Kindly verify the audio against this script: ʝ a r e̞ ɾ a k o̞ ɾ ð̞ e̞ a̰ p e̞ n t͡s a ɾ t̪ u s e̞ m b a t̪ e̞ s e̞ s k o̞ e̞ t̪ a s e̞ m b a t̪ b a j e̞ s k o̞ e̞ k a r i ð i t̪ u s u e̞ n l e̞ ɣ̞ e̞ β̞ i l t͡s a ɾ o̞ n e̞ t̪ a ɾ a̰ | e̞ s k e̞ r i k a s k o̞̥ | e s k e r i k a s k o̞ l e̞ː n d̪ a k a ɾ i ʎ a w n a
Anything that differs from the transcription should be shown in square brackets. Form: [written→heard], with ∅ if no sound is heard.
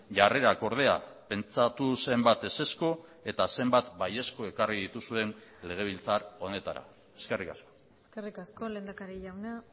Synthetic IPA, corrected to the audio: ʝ a r e̞ ɾ a k o̞ ɾ ð̞ e̞ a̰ p e̞ n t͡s a [ɾ→∅] t̪ u s e̞ m b a t̪ e̞ s e̞ s k o̞ e̞ t̪ a s e̞ m b a t̪ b a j e̞ s k o̞ e̞ k a r i ð i t̪ u s u e̞ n l e̞ ɣ̞ e̞ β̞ i l t͡s a ɾ o̞ n e̞ t̪ a ɾ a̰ | e̞ s k e̞ r i k a s k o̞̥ | e s k e r i k a s k o̞ l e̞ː n d̪ a k a ɾ i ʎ a w n a